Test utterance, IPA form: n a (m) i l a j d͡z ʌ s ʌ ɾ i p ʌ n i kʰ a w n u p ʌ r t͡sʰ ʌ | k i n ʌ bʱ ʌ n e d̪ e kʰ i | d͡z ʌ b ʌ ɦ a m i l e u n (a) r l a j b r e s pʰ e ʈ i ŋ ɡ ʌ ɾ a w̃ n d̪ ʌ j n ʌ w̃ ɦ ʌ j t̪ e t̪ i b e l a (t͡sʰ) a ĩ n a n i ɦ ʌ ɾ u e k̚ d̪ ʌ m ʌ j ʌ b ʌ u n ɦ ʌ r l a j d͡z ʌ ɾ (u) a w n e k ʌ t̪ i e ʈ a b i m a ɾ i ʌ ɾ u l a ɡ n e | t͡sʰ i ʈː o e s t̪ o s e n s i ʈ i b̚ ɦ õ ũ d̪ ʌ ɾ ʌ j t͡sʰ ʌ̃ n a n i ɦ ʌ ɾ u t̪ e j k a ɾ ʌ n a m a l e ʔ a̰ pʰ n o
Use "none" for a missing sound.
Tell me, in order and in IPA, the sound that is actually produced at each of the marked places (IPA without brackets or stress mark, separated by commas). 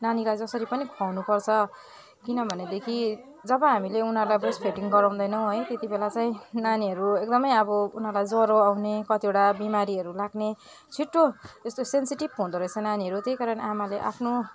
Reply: n, ʌ, t͡s, o